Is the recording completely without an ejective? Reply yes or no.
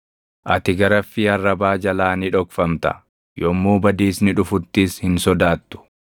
yes